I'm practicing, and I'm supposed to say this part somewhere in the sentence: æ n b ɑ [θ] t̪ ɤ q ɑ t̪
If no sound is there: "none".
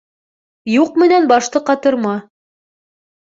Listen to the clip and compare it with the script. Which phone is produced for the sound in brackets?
ʃ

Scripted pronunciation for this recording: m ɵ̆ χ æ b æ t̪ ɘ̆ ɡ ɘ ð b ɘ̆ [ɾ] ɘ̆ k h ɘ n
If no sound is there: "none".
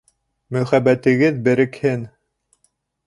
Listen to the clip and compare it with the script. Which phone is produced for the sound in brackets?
ɾ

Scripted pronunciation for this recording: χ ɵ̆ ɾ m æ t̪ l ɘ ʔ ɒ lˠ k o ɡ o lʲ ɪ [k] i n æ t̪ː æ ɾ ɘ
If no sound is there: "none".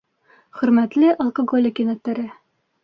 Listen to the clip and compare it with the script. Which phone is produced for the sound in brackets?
k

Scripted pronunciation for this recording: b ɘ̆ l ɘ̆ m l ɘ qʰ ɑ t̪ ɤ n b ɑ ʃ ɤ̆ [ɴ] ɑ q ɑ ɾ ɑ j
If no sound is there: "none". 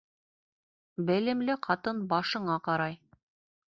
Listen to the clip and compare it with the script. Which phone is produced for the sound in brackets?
ɴ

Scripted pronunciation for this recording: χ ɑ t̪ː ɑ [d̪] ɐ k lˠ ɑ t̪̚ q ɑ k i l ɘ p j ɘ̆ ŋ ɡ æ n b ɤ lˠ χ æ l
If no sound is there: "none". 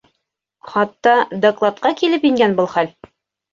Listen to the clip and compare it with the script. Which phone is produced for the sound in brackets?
d̪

